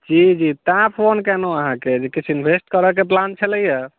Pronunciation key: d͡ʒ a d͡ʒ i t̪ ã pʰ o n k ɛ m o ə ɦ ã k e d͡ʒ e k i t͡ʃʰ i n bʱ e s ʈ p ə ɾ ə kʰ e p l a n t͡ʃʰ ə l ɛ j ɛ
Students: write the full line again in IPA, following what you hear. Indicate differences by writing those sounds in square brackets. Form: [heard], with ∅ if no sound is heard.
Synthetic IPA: d͡ʒ [i] d͡ʒ i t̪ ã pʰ o n k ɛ [n] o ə ɦ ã k e d͡ʒ e k i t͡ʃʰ i n bʱ e s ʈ [k] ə ɾ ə [k] e p l a n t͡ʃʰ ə l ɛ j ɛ